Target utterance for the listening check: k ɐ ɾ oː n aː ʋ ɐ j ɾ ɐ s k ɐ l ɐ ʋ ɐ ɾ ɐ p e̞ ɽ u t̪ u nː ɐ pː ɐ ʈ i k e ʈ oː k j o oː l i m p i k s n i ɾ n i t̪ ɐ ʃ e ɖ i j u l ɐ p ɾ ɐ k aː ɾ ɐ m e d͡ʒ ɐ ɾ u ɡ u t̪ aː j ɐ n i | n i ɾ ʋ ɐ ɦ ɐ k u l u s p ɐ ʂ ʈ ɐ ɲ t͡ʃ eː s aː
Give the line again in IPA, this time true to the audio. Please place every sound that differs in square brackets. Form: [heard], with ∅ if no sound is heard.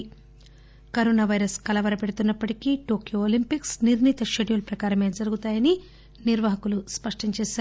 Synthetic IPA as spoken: k ɐ ɾ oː n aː ʋ ɐ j ɾ ɐ s k ɐ l ɐ ʋ ɐ ɾ ɐ p e̞ ɽ u t̪ u nː ɐ pː ɐ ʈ i k [i] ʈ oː k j o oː l i m p i k s n i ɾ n i t̪ ɐ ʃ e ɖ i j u l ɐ p ɾ ɐ k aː ɾ ɐ m e d͡ʒ ɐ ɾ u ɡ u t̪ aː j ɐ n i | n i ɾ ʋ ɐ ɦ ɐ k u l u s p ɐ ʂ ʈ ɐ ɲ t͡ʃ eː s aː